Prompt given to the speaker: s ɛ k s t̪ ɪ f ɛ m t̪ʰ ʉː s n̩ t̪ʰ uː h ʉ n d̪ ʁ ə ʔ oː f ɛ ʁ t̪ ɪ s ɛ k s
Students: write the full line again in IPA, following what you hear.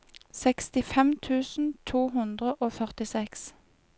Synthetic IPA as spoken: s ɛ k s t̪ ɪ f ɛ m t̪ʰ ʉː s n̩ t̪ʰ uː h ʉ n d̪ ʁ ə ʔ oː f œ ʁ t̪ ɪ s ɛ k s